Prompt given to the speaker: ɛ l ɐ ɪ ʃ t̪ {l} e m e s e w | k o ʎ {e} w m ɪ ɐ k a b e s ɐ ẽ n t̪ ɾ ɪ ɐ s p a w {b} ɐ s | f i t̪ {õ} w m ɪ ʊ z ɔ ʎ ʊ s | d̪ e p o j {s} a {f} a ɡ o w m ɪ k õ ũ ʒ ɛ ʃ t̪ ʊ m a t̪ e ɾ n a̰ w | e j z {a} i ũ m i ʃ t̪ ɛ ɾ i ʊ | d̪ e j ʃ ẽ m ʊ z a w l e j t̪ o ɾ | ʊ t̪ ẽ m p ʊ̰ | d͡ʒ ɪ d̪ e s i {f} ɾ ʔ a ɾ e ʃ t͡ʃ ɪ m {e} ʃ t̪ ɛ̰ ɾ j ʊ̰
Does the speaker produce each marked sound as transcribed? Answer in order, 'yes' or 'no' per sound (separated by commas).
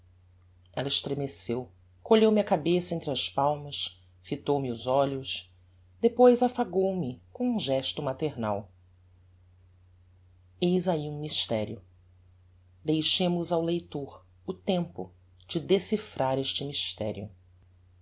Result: no, yes, no, no, no, yes, yes, yes, no